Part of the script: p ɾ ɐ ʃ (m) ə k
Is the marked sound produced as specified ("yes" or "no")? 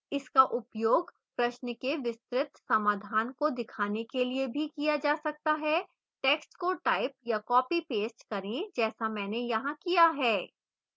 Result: no